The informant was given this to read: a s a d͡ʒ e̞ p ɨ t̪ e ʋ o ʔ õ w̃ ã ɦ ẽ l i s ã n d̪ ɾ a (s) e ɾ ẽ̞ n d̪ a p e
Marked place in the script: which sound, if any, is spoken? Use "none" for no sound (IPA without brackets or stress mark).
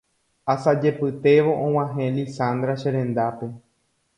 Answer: ʃ